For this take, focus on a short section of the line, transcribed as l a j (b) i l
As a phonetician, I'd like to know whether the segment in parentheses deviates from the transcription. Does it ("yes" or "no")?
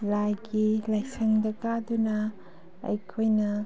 yes